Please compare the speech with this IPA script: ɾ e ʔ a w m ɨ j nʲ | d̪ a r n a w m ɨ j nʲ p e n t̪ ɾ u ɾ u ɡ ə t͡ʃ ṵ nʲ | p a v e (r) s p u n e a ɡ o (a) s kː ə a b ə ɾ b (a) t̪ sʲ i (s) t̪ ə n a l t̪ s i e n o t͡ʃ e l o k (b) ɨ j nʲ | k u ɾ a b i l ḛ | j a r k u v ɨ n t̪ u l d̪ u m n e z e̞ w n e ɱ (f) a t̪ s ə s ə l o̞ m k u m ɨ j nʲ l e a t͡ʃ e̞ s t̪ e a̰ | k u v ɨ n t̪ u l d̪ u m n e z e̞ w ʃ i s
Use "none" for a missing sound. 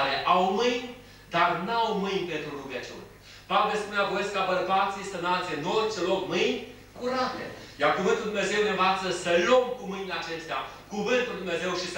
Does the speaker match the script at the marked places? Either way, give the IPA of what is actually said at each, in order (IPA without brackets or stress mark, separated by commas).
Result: l, e, a, s, m, v